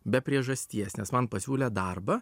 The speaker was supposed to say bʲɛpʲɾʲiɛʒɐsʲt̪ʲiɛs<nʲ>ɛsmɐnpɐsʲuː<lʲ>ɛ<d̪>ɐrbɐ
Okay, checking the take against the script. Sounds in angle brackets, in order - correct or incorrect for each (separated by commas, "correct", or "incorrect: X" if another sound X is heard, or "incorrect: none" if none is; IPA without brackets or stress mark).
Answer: correct, correct, correct